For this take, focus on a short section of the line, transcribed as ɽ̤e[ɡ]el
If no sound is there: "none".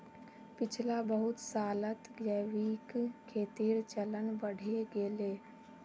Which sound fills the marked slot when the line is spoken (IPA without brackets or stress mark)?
ɡ